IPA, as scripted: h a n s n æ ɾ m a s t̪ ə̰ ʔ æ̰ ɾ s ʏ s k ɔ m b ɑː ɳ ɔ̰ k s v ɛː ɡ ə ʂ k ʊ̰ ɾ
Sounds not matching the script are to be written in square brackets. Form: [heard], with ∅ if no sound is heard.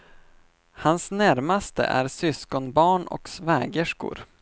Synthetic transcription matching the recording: h a n s n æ ɾ m a s t̪ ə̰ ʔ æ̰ ɾ s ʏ s k ɔ [n] b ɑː ɳ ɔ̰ k s v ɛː ɡ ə ʂ k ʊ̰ ɾ